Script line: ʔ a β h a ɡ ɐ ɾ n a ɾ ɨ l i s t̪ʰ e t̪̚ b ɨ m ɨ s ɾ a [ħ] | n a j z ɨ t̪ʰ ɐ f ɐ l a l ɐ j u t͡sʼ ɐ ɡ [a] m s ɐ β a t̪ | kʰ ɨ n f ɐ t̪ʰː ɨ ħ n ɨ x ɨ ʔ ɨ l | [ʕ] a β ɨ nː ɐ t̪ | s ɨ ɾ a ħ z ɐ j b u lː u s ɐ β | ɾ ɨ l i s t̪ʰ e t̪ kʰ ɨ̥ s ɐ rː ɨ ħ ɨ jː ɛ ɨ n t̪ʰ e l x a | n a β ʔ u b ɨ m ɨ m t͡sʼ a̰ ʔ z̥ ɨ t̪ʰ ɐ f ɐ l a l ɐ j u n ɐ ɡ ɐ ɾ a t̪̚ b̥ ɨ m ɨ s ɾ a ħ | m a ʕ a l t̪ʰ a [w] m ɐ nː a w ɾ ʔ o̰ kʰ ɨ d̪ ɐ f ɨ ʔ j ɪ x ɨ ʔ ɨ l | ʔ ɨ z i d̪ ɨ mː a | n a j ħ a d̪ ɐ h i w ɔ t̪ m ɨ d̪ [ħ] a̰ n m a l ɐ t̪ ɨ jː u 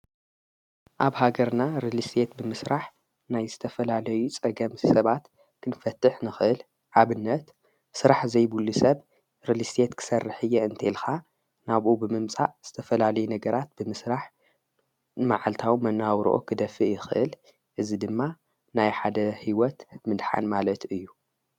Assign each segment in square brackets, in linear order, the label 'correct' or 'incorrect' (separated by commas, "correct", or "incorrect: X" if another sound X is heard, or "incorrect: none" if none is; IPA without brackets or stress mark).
correct, incorrect: ɐ, correct, correct, correct